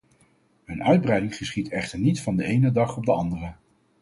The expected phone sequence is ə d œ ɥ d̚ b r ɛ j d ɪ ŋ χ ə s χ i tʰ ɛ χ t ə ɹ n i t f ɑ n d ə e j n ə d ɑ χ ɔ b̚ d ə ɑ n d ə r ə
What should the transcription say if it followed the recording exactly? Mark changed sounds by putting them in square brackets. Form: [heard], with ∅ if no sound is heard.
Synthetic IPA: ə [n] œ ɥ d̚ b r ɛ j d ɪ ŋ χ ə s χ i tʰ ɛ χ t ə ɹ n i t f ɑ n d ə e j n ə d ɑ χ ɔ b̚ d ə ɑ n d ə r ə